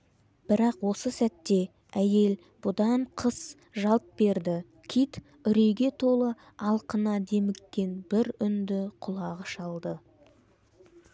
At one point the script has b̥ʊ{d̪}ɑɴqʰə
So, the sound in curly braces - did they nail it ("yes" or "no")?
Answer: yes